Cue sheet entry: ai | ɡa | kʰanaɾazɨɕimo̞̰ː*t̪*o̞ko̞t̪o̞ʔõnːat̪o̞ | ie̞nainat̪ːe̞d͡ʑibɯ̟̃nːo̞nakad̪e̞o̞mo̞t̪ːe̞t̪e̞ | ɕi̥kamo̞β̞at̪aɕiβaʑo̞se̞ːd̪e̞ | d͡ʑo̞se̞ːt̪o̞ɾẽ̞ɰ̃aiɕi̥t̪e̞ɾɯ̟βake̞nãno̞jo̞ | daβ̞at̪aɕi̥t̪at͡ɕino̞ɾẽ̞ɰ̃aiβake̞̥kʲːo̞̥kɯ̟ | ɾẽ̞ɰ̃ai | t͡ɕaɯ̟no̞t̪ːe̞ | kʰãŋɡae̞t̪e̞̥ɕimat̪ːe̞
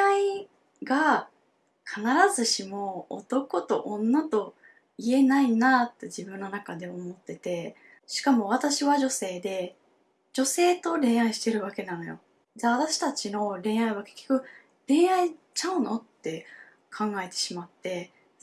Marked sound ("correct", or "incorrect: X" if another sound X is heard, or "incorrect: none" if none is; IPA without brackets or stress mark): correct